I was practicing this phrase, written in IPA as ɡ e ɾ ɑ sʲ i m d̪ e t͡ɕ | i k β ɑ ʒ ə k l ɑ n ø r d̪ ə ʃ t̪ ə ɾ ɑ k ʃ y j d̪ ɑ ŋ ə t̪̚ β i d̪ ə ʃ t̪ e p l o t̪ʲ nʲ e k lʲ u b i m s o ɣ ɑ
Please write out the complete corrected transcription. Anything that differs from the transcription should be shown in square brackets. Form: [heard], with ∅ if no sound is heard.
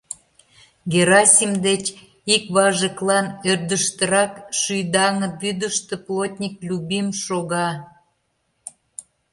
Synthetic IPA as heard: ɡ e ɾ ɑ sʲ i m d̪ e t͡ɕ | i k β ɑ ʒ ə k l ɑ n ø r d̪ ə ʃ t̪ ə ɾ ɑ k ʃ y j d̪ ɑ ŋ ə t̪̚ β [y] d̪ ə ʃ t̪ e p l o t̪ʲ nʲ [i] k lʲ u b i m [ʃ] o ɣ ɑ

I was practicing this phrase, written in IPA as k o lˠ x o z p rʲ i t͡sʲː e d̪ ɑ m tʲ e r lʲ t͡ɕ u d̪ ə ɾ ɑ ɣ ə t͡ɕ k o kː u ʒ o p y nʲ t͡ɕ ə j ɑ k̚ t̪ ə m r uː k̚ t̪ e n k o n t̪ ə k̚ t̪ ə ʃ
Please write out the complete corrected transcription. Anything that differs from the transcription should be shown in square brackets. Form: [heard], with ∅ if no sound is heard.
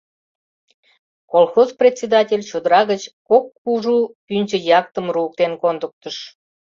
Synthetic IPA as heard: k o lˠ x o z p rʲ [e] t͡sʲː e d̪ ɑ [∅] tʲ e [∅] lʲ t͡ɕ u d̪ ə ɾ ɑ ɣ ə t͡ɕ k o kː u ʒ [u] p y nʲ t͡ɕ ə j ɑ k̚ t̪ ə m r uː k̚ t̪ e n k o n [d̪] ə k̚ t̪ ə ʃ

